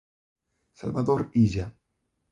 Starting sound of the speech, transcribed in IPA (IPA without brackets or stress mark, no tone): s